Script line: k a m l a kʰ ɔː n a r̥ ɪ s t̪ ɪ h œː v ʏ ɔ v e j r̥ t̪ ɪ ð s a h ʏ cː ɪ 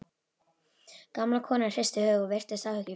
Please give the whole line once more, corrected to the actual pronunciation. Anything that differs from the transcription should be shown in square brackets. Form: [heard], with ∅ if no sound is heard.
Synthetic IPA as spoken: k a m l a kʰ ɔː n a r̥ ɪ s t̪ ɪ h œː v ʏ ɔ v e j r̥ t̪ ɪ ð s a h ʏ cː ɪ